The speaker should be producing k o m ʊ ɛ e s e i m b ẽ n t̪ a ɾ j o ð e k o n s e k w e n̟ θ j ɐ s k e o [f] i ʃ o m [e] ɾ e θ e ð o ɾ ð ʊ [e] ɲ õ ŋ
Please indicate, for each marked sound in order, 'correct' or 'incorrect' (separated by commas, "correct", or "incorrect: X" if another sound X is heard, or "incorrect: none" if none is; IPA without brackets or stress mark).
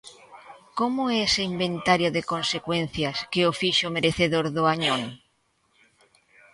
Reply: correct, correct, incorrect: a